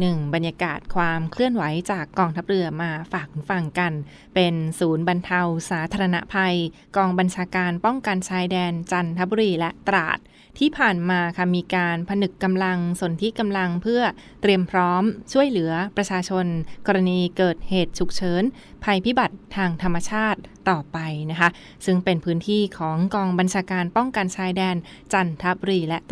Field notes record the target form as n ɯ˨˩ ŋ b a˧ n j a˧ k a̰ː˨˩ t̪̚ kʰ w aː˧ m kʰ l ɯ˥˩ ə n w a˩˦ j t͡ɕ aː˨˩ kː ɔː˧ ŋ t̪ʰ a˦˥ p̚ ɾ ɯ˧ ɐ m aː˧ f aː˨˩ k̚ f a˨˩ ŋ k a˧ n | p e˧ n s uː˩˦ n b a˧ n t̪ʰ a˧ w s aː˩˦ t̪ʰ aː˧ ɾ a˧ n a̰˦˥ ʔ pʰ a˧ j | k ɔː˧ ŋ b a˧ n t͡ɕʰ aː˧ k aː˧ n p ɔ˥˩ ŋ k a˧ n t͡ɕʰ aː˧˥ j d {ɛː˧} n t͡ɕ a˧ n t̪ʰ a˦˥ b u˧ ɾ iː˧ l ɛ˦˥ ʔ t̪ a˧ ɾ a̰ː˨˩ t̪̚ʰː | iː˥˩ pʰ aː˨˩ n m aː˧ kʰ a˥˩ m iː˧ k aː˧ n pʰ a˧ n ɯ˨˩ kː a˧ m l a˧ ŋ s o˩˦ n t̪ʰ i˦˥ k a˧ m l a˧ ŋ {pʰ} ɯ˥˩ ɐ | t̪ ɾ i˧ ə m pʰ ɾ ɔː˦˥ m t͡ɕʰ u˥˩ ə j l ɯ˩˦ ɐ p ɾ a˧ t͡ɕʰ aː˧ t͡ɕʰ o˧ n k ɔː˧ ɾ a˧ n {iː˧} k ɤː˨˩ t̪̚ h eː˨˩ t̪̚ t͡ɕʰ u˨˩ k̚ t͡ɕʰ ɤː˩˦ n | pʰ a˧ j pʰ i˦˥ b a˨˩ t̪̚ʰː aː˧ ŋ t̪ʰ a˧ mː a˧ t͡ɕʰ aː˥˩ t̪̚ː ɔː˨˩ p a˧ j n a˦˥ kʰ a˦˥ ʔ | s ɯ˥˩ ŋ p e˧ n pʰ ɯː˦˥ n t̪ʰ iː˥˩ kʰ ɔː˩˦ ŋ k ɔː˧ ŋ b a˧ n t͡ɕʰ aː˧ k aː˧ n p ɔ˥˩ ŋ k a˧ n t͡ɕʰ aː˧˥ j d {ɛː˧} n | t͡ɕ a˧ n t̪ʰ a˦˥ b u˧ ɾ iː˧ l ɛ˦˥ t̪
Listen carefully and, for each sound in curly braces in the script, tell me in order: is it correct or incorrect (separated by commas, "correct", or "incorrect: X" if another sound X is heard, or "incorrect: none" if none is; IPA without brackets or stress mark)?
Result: correct, correct, correct, correct